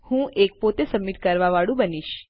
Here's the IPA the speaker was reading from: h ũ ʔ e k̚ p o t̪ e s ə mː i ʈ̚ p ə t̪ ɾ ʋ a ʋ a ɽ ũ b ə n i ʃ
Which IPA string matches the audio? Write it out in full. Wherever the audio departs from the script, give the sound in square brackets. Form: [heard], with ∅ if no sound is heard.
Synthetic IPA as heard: h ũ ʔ e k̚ p o t̪ e s ə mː i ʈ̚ [k] ə [∅] ɾ ʋ a ʋ a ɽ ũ b ə n i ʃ